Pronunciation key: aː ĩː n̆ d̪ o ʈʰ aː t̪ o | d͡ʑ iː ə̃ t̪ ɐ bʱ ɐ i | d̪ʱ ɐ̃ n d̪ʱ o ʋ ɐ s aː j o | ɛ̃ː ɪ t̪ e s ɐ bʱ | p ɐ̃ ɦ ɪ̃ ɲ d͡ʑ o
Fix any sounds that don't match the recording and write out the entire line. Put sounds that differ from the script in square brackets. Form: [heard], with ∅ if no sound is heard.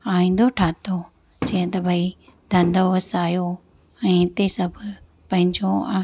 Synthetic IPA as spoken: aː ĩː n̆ d̪ o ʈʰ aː t̪ o | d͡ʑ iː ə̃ t̪ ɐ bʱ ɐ i | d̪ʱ ɐ̃ n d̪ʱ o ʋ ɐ s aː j o | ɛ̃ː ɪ t̪ e s ɐ bʱ | p ɐ̃ ɦ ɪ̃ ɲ d͡ʑ o